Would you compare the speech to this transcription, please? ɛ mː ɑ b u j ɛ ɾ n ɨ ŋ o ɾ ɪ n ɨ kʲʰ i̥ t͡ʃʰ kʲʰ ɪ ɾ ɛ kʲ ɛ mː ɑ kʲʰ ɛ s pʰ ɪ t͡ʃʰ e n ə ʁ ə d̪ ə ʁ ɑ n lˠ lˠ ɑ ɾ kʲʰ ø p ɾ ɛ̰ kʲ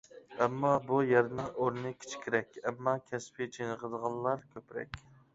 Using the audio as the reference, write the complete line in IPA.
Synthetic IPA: ɛ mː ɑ b u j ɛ ɾ n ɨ ŋ o ɾ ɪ n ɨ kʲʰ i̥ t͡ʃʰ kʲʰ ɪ ɾ ɛ kʲ ɛ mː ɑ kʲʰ ɛ s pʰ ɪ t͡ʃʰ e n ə ʁ ə d̪ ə ʁ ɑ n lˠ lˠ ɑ ɾ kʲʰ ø p ɾ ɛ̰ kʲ